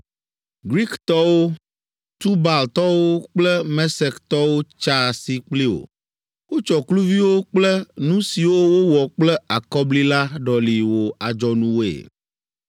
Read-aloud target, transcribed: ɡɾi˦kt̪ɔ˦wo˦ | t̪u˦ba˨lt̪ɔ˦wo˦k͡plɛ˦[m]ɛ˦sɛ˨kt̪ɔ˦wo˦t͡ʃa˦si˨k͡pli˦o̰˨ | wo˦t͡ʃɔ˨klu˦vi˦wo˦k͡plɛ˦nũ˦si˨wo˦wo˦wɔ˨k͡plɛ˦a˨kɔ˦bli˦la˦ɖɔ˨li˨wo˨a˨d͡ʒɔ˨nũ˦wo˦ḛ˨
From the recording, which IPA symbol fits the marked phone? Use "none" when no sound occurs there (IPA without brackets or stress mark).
m